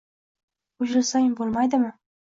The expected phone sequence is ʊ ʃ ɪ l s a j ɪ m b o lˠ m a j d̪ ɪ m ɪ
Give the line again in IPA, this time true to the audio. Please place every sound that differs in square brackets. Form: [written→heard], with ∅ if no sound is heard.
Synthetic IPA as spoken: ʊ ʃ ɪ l s a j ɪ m b o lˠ m a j d̪ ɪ m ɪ